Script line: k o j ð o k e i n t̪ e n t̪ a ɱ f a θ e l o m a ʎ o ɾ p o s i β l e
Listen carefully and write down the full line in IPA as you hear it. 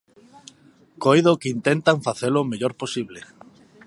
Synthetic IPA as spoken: k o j ð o k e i n t̪ e n t̪ a ɱ f a θ e l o m e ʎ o ɾ p o s i β l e

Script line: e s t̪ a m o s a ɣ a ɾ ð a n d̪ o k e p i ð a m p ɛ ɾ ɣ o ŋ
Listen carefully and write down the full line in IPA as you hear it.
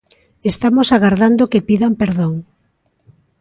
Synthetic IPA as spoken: e s t̪ a m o s a ɣ a ɾ ð a n d̪ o k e p i ð a m p e ɾ ð o ŋ

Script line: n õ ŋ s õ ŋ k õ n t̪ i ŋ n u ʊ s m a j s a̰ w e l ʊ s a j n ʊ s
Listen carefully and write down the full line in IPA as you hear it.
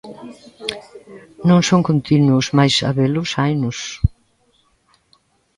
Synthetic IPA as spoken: n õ ŋ s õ ŋ k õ n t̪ i n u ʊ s m a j s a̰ β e l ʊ s a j n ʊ s

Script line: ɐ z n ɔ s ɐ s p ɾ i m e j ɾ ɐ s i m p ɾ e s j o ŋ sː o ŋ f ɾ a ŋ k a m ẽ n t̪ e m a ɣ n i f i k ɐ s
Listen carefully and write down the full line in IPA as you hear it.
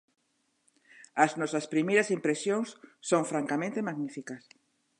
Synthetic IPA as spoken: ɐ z n ɔ s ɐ s p ɾ i m e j ɾ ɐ s i m p ɾ e s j o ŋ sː o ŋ f ɾ a ŋ k a m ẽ n t̪ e m a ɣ n i f i k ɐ s

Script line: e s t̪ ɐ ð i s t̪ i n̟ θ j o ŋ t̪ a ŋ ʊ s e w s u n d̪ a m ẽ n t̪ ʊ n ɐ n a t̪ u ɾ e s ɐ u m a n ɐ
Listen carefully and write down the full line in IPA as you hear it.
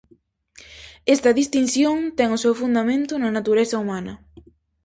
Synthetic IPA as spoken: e s t̪ ɐ ð i s t̪ i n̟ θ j o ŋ t̪ ɛ ŋ ʊ s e w f u n d̪ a m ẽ n t̪ ʊ n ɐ n a t̪ u ɾ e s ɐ u m a n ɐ

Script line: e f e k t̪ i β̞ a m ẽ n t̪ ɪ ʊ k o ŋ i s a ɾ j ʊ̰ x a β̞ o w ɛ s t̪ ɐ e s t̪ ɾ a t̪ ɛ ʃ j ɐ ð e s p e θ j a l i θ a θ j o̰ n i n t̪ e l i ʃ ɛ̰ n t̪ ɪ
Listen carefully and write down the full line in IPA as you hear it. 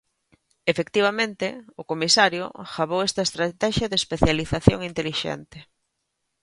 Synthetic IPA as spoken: e f e k t̪ i β̞ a m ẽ n t̪ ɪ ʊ k o m i s a ɾ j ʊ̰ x a β̞ o w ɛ s t̪ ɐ e s t̪ ɾ a t̪ ɛ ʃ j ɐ ð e s p e θ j a l i θ a θ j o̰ ŋ i n t̪ e l i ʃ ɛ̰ n t̪ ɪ

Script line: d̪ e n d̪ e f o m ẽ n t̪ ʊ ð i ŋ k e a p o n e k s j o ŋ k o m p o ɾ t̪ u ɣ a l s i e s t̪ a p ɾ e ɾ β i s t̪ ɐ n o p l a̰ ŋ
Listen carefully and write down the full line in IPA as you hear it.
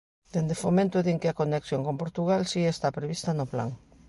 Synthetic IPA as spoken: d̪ e n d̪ e f o m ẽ n t̪ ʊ ð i ŋ k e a k o n e k s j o ŋ k o m p o ɾ t̪ u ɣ a l s i e s t̪ a p ɾ e β i s t̪ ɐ n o p l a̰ ŋ

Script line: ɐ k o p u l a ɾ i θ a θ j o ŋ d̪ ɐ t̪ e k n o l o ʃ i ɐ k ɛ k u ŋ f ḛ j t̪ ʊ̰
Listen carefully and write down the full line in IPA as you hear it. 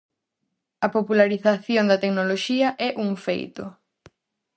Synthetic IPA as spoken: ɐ p o p u l a ɾ i θ a θ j o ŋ d̪ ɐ t̪ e k n o l o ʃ i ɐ ʔ ɛ ʔ u ŋ f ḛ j t̪ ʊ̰

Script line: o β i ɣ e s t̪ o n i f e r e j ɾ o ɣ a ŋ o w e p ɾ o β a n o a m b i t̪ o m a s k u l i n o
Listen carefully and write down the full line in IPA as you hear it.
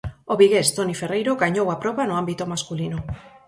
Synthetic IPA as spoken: o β i ɣ e s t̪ o n i f e r e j ɾ o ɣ a ɲ o w a p ɾ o β a n o a m b i t̪ o m a s k u l i n o

